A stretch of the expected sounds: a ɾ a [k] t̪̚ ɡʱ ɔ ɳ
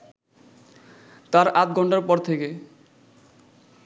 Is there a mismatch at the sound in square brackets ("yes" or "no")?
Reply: yes